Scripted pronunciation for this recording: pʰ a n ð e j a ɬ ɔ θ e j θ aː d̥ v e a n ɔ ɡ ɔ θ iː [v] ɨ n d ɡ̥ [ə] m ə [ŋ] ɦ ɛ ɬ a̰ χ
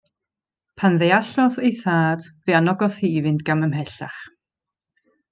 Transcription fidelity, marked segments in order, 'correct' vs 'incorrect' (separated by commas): correct, incorrect, incorrect